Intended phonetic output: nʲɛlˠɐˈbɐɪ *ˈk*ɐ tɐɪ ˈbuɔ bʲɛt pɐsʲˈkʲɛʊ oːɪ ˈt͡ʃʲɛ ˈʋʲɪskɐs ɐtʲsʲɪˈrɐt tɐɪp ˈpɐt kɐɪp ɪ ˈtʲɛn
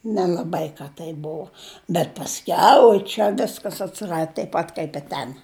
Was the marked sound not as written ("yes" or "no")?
no